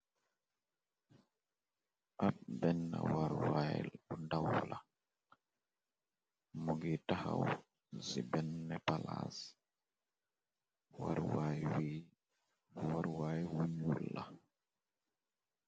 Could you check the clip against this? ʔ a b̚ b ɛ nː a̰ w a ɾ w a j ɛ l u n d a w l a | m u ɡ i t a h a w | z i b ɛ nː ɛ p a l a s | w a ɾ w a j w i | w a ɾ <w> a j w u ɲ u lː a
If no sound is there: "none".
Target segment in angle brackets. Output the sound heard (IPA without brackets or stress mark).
w